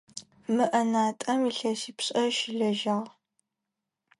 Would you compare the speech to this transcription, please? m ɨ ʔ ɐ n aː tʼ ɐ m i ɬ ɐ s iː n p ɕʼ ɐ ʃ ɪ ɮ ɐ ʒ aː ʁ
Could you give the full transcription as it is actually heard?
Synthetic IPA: m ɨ ʔ ɐ n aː tʼ ɐ m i ɬ ɐ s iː p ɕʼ ɐ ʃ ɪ ɮ ɐ ʒ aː ʁ

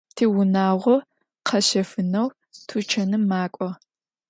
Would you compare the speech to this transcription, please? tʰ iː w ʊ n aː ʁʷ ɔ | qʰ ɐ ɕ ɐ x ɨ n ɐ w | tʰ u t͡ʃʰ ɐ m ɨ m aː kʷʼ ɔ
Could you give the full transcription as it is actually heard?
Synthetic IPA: tʰ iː w ʊ n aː ʁʷ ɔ | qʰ ɐ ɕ ɐ f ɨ n ɐ w | tʰ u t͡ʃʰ ɐ n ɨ m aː kʷʼ ɔ

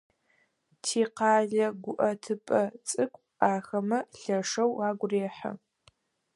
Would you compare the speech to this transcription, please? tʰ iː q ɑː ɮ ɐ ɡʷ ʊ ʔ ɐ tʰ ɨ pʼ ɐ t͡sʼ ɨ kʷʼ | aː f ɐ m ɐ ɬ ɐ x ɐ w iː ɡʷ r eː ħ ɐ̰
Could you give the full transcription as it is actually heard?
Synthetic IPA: tʰ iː q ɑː ɮ ɐ ɡʷ ʊ ʔ ɐ tʰ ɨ pʼ ɐ t͡sʼ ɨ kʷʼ | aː x ɐ m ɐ ɬ ɐ ʂ ɐ w aː ɡʷ r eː ħ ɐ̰

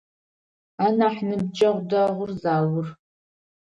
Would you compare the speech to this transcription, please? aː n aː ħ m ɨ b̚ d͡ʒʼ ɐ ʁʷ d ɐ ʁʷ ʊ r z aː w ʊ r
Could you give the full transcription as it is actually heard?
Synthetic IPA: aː n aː ħ n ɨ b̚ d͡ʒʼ ɐ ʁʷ d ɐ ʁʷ ʊ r z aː w ʊ r

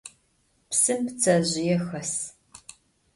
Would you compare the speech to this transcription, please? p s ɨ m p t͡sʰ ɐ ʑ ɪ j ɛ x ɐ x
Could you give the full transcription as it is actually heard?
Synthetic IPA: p s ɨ m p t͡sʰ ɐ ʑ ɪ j ɛ x ɐ s

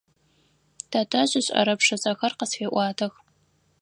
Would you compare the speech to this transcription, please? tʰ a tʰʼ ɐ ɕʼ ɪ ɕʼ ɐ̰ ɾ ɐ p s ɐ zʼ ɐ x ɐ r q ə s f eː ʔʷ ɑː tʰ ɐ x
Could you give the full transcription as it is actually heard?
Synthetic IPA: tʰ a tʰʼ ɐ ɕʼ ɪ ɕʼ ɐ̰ ɾ ɐ p ʂ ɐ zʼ ɐ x ɐ r q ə s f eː ʔʷ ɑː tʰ ɐ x

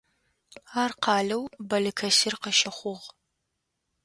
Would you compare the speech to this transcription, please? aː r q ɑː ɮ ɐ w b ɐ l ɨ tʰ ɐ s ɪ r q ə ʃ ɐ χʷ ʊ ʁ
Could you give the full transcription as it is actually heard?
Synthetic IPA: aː r q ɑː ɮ ɐ w b ɐ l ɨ kʰ ɐ s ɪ r q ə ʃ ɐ χʷ ʊ ʁ

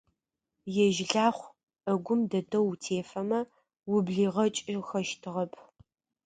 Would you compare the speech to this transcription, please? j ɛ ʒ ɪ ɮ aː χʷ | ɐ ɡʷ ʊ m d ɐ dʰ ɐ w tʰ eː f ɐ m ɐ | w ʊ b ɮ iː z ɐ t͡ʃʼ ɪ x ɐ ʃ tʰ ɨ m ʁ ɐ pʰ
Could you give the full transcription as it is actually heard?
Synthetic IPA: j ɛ ʒ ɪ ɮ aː χʷ | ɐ ɡʷ ʊ m d ɐ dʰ ɐ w tʰ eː f ɐ m ɐ | w ʊ b ɮ iː ʁ ɐ t͡ʃʼ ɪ x ɐ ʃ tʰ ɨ ʁ ɐ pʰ

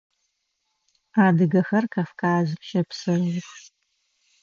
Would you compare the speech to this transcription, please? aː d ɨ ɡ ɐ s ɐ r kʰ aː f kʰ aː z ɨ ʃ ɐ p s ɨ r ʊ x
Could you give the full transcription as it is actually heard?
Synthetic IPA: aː d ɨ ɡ ɐ x ɐ r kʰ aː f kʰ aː z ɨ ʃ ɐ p s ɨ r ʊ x

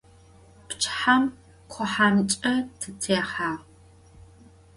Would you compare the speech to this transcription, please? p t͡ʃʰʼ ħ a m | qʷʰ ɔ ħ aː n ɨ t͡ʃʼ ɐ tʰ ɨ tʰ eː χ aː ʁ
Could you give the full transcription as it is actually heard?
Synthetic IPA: p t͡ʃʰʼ ħ a m | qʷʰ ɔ ħ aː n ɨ t͡ʃʼ ɐ tʰ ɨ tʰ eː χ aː ʁ

